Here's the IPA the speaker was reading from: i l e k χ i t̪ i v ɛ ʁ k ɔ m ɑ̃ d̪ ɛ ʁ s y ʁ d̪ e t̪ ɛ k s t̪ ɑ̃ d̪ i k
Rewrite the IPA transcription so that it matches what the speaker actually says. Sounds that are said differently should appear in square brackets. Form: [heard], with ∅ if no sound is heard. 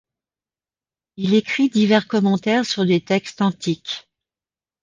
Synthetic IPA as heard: i l e k χ i [d̪] i v ɛ ʁ k ɔ m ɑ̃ [t̪] ɛ ʁ s y ʁ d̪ e t̪ ɛ k s t̪ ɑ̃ [t̪] i k

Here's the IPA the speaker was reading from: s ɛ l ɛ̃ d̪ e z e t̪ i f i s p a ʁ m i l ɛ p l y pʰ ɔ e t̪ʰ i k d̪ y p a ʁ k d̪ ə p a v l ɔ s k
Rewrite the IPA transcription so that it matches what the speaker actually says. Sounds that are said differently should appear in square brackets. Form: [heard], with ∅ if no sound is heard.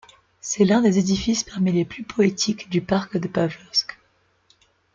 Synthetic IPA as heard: s ɛ l ɛ̃ d̪ e z e [d̪] i f i s p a ʁ m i l [e] p l y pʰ ɔ e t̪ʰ i k d̪ y p a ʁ k d̪ ə p a v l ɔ s k

